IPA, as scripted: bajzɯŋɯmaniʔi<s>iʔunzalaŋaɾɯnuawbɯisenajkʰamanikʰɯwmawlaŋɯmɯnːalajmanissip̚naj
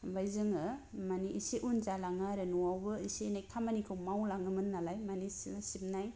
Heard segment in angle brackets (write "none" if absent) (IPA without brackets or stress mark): s